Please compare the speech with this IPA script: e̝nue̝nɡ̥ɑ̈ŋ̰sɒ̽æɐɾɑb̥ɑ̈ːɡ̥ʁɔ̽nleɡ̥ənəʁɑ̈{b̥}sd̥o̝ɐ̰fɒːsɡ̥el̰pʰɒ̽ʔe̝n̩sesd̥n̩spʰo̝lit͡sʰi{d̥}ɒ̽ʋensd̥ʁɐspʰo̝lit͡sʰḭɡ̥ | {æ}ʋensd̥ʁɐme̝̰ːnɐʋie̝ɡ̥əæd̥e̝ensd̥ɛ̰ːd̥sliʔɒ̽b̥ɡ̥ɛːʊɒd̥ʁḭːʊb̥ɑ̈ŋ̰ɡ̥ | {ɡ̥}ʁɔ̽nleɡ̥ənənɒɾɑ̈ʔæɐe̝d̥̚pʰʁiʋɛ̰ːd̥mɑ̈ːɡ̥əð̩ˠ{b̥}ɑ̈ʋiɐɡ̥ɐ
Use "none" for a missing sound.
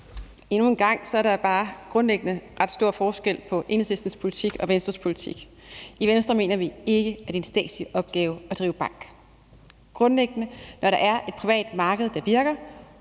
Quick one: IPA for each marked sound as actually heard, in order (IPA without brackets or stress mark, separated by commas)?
d̥, ɡ̥, i, ɡ̥, d̥